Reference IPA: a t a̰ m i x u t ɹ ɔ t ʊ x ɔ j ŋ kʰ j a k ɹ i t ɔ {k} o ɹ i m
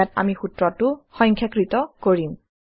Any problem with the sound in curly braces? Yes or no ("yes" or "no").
no